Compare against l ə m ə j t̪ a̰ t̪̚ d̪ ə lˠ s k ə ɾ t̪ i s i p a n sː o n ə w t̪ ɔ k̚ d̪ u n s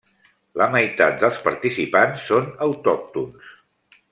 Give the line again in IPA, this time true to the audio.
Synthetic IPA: l ə m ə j t̪ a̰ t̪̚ d̪ ə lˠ s p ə ɾ t̪ i s i p a n sː o n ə w t̪ ɔ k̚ t̪ u n s